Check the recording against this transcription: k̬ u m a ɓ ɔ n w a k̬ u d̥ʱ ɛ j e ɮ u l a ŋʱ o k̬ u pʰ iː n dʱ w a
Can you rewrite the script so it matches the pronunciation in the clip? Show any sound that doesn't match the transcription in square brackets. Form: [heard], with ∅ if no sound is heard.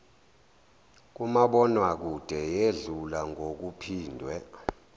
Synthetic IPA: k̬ u m a ɓ ɔ n w a k̬ u d̥ʱ ɛ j e ɮ u l a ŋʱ o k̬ u pʰ iː n dʱ w [ɛ]